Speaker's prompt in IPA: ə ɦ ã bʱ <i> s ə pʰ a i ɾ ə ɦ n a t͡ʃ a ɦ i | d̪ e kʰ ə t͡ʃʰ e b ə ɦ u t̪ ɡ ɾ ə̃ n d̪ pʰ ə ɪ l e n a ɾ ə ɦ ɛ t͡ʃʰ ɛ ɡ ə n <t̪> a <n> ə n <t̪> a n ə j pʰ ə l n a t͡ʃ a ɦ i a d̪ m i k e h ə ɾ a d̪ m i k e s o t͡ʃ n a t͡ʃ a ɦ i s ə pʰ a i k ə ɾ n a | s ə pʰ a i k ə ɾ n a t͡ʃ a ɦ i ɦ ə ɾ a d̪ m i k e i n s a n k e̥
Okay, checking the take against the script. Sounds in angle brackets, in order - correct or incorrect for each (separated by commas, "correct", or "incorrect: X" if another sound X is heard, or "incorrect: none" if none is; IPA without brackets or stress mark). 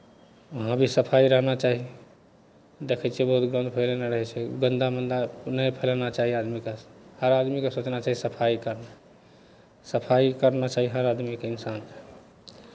correct, incorrect: d̪, incorrect: m, incorrect: d̪